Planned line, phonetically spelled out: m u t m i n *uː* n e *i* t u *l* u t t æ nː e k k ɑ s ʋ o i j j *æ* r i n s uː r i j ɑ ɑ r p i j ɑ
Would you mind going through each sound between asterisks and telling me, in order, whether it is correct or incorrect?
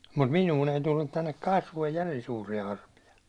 correct, correct, incorrect, correct

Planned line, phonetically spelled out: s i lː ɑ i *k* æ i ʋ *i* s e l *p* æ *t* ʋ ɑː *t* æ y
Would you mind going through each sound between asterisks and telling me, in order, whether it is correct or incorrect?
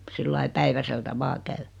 incorrect, incorrect, incorrect, incorrect, incorrect

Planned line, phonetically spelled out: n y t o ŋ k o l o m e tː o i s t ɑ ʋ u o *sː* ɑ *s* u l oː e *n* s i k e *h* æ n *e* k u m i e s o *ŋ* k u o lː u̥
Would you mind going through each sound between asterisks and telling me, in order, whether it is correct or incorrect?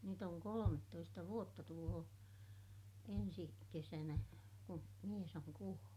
incorrect, incorrect, correct, incorrect, incorrect, correct

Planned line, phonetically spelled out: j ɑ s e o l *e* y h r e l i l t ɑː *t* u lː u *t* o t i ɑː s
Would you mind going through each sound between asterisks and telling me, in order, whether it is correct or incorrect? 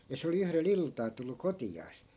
incorrect, correct, incorrect

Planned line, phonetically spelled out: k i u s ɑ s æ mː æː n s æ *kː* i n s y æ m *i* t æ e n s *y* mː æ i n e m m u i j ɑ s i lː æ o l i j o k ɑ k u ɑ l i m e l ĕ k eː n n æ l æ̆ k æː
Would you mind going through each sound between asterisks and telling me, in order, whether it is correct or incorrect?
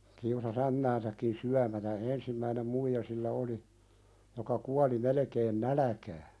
correct, incorrect, incorrect

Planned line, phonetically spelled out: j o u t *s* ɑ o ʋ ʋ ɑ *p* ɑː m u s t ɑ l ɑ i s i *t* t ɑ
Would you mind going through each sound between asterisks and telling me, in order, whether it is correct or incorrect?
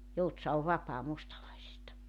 correct, correct, incorrect

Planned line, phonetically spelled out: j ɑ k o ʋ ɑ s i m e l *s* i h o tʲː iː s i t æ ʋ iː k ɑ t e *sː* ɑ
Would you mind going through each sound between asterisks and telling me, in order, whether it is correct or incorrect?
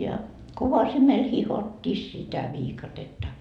incorrect, incorrect

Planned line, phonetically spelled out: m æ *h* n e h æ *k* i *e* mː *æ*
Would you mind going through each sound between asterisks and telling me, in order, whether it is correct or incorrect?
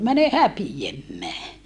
incorrect, incorrect, correct, incorrect

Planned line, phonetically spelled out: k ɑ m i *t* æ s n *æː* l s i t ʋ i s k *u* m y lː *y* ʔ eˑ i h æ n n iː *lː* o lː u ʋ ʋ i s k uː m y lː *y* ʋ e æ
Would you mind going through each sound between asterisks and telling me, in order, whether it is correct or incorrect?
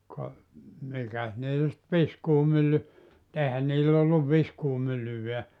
incorrect, incorrect, incorrect, correct, correct, correct

